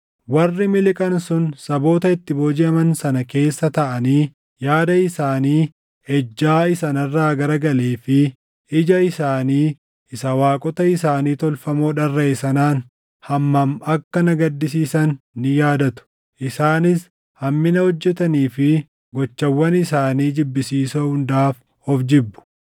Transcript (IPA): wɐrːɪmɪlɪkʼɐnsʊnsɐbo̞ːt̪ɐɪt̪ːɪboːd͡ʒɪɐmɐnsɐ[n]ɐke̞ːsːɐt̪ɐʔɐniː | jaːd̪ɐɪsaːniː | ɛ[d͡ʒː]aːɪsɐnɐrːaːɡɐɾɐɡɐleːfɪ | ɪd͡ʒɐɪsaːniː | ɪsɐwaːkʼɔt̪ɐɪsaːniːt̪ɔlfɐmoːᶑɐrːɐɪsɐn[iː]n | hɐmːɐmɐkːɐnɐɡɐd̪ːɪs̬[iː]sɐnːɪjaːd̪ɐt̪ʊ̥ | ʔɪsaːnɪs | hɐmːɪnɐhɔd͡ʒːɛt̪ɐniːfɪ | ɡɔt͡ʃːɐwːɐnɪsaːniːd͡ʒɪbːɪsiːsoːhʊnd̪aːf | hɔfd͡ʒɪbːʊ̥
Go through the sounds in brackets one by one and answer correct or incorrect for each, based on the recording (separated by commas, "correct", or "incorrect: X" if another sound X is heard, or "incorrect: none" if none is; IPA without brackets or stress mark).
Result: correct, correct, incorrect: aː, correct